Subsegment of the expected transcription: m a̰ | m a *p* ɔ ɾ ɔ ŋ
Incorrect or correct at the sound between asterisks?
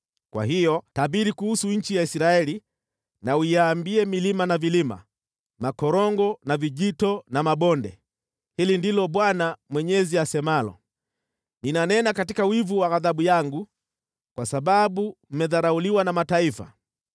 incorrect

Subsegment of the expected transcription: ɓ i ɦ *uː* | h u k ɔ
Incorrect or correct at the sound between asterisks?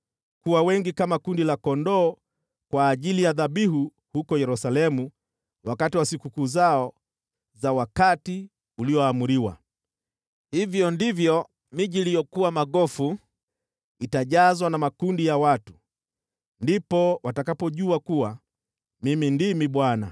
incorrect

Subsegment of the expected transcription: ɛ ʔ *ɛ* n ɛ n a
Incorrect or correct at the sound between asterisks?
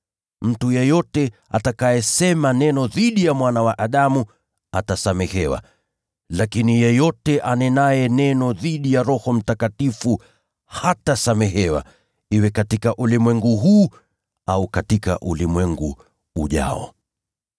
incorrect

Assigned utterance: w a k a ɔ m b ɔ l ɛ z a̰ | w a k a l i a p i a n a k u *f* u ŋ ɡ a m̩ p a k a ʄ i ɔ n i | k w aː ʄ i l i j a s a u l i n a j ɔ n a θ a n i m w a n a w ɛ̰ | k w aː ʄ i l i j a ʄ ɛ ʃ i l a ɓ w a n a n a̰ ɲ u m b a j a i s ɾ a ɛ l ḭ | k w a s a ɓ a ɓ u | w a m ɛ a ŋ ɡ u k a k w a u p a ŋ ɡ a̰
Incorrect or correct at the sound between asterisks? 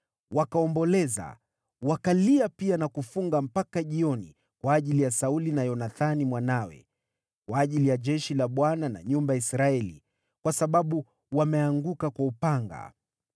correct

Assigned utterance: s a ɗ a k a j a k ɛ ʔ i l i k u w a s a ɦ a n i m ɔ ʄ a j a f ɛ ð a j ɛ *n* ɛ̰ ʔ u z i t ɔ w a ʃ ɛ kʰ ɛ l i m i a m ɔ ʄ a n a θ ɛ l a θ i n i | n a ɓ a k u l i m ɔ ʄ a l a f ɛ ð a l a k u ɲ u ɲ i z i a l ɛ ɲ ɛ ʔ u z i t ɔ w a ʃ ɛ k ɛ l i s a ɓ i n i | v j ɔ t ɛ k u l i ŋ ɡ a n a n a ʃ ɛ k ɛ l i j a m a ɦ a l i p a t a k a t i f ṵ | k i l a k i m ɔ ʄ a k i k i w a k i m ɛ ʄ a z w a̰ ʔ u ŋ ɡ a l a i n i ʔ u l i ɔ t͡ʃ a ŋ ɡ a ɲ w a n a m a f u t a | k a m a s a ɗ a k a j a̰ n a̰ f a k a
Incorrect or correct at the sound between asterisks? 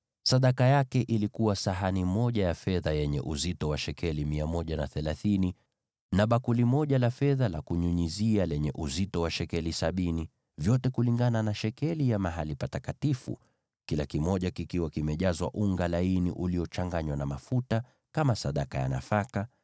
incorrect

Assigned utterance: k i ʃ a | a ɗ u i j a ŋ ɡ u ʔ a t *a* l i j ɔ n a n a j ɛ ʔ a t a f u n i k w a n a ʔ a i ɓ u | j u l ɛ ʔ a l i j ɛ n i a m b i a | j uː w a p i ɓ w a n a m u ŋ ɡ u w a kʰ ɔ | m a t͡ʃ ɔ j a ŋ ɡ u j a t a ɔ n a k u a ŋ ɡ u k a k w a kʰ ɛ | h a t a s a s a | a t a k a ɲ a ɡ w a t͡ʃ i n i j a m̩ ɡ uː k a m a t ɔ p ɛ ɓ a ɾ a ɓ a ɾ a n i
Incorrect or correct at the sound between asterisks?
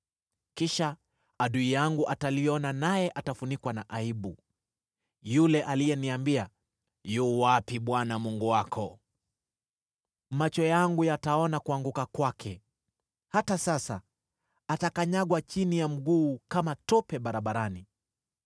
correct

